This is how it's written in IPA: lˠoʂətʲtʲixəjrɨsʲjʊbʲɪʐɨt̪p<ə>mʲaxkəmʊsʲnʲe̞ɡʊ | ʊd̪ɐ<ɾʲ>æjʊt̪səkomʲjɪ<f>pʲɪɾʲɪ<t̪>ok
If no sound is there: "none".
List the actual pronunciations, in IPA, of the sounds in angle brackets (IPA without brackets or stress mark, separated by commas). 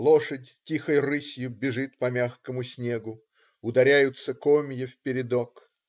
ɐ, ɾʲ, f, d̪